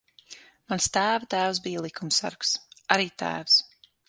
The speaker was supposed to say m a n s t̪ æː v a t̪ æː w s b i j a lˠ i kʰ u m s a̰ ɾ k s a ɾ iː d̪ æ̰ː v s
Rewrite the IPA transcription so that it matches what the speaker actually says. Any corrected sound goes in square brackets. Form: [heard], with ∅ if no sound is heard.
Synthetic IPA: m a n s t̪ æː v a t̪ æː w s b i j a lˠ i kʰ u m s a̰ ɾ k s a ɾ iː [t̪] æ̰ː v s